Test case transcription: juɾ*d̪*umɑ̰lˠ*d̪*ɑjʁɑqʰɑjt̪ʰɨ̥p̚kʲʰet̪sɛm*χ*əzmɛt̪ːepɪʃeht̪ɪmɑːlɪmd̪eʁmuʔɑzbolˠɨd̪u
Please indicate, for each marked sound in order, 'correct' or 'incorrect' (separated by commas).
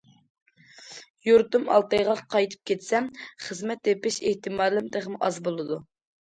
incorrect, incorrect, correct